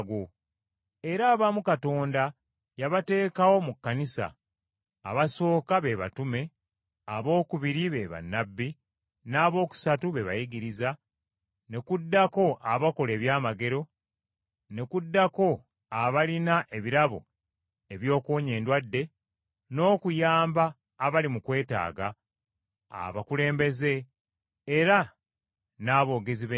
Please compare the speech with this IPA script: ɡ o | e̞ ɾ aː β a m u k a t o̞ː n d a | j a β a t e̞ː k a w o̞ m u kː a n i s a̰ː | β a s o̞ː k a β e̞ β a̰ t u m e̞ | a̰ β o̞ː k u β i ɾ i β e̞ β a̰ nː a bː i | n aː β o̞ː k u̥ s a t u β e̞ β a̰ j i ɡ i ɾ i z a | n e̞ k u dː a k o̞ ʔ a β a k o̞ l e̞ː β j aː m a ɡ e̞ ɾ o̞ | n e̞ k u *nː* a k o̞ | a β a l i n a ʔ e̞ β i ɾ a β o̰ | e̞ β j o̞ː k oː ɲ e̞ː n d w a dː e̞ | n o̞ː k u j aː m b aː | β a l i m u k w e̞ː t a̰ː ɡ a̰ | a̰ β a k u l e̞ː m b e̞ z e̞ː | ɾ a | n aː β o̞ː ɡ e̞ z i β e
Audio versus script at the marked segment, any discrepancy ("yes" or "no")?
yes